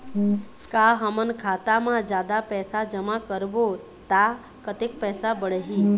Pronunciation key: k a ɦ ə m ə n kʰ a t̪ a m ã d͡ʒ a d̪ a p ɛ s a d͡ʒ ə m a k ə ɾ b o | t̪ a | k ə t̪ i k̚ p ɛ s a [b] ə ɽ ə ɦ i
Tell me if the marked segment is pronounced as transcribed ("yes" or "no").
yes